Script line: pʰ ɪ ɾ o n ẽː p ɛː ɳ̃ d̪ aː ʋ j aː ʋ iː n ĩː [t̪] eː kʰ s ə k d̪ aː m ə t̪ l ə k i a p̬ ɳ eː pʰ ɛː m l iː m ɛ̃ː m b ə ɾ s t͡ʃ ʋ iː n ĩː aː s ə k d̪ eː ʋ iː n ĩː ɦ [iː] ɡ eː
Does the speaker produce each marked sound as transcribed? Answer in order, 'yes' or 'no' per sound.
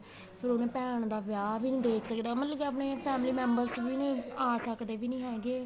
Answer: no, no

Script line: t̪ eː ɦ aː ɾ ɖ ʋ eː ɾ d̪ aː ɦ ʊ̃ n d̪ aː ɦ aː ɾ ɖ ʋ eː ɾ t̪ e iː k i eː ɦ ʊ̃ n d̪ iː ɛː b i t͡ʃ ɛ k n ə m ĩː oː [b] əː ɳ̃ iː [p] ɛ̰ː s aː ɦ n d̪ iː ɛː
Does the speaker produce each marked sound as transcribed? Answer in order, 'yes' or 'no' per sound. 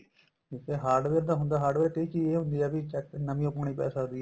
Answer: no, yes

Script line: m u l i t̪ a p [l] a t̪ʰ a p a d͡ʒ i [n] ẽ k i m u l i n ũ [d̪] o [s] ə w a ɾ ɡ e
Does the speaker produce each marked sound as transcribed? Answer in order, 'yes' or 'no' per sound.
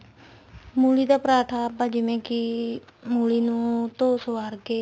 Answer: no, no, no, yes

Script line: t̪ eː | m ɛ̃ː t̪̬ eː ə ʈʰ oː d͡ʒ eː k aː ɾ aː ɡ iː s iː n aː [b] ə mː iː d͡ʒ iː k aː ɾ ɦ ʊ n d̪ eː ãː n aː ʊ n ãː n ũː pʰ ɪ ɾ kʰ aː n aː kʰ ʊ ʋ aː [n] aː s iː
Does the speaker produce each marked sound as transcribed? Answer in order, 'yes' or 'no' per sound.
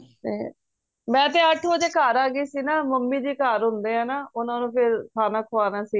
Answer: no, yes

